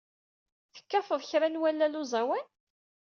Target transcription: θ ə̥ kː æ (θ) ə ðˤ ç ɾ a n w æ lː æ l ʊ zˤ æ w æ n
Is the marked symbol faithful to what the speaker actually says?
no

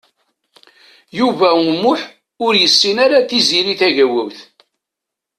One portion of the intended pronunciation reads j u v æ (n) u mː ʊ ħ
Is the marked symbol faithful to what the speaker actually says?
no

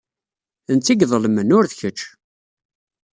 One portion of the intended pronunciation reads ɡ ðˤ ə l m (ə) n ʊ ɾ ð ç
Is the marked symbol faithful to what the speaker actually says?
yes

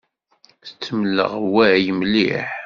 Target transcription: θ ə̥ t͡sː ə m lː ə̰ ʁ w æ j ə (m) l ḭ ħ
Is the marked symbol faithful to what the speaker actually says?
yes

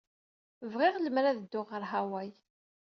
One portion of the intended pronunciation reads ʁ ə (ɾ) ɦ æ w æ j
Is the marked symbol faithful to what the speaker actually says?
yes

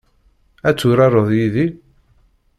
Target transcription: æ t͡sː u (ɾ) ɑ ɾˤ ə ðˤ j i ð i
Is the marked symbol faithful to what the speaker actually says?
yes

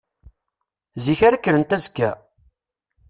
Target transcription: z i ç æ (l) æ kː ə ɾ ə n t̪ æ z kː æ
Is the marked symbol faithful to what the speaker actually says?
no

